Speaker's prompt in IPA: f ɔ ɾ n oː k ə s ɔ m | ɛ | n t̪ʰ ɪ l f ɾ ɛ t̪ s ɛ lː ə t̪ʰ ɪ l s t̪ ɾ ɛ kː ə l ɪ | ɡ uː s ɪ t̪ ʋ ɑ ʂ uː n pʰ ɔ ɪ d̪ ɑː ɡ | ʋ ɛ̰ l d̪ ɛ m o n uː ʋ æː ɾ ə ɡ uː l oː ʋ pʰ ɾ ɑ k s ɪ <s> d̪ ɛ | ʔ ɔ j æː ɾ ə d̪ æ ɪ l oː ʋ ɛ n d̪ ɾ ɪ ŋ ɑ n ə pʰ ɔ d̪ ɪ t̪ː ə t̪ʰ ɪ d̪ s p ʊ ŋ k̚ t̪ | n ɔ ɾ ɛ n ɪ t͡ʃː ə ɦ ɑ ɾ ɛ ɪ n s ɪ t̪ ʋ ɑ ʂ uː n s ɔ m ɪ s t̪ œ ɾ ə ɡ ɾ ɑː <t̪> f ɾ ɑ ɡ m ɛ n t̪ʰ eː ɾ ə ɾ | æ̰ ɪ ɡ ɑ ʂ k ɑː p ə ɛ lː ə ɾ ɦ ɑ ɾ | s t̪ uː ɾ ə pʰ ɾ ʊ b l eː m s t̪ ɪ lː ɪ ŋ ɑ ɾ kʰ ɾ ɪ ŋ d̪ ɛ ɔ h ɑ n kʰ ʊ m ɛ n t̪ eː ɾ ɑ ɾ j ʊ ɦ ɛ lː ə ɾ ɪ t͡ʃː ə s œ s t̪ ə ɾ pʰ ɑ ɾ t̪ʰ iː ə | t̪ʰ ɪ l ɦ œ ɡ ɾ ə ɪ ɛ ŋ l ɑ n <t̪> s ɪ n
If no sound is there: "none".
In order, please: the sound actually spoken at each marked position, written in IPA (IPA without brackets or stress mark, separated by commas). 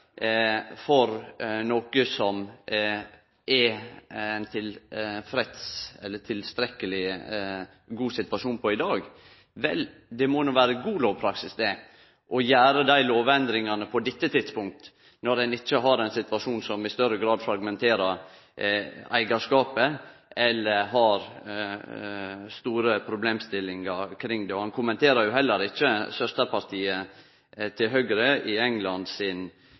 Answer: s, d̪, d̪